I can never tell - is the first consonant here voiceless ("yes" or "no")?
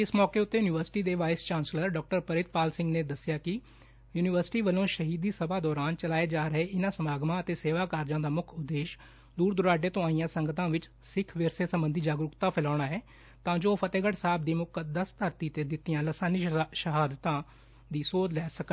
yes